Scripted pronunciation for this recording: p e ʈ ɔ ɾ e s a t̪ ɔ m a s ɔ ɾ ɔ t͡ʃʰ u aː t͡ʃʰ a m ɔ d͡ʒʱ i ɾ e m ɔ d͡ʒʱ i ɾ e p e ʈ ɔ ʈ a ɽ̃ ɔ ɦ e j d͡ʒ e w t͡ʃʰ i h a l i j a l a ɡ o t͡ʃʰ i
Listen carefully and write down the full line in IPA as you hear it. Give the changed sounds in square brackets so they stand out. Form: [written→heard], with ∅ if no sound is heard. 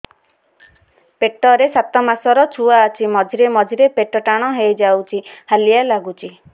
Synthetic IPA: p e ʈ ɔ ɾ e s a t̪ ɔ m a s ɔ ɾ ɔ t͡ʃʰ u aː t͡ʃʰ [a→i] m ɔ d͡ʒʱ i ɾ e m ɔ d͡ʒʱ i ɾ e p e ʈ ɔ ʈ a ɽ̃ ɔ ɦ e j d͡ʒ [e→a] w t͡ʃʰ i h a l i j a l a ɡ [o→u] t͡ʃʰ i